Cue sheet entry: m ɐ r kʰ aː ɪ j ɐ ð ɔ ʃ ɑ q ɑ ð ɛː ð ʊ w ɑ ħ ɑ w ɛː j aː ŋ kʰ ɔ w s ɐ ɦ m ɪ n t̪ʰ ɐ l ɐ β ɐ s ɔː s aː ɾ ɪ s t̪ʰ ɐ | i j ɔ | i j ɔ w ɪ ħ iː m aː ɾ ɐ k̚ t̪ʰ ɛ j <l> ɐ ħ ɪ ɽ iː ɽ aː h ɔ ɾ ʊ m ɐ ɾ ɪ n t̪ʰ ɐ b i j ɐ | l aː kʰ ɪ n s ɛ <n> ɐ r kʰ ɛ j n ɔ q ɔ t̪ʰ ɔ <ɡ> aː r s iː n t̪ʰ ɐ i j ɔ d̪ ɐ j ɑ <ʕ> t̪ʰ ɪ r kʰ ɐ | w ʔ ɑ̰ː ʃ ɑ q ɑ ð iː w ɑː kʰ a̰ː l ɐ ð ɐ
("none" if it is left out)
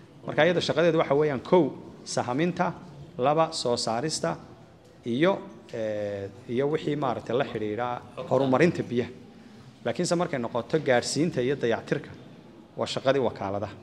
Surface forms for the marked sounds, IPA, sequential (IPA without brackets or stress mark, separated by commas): l, m, ɡ, ʕ